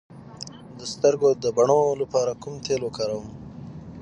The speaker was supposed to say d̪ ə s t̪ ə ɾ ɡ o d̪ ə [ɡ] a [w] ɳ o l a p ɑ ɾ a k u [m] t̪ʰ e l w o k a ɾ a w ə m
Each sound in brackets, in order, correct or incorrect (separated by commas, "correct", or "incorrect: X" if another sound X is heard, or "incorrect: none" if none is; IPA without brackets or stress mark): incorrect: b, incorrect: none, correct